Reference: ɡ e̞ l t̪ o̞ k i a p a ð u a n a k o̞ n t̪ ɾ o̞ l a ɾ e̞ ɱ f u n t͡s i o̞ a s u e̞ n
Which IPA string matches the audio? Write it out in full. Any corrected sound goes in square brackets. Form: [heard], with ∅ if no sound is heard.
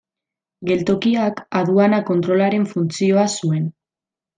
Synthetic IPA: ɡ e̞ l t̪ o̞ k i a [k] a ð u a n a k o̞ n t̪ ɾ o̞ l a ɾ e̞ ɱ f u n t͡s i o̞ a s u e̞ n